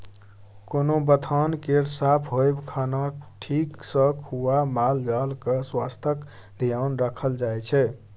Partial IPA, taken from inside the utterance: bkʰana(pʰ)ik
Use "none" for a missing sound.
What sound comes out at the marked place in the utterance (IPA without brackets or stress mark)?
ʈʰ